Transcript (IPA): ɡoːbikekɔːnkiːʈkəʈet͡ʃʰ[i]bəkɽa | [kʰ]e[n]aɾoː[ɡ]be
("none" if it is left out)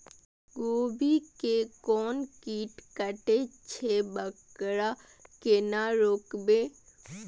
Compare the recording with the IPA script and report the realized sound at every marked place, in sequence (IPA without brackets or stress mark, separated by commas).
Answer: e, k, n, k